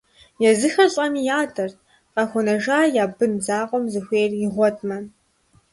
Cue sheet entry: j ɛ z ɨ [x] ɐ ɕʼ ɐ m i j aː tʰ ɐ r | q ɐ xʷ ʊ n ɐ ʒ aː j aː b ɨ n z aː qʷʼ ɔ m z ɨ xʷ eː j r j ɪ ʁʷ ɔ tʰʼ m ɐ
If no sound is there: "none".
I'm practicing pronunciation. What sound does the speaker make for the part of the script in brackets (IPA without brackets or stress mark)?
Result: x